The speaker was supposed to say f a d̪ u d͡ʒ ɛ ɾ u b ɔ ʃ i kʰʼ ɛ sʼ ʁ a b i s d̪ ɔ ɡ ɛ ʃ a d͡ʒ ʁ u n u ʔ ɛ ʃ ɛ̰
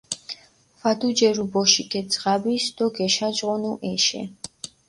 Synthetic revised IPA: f a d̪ u d͡ʒ ɛ ɾ u b ɔ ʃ i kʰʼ ɛ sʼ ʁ a b i s d̪ ɔ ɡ ɛ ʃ a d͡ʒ ʁ ɔ n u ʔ ɛ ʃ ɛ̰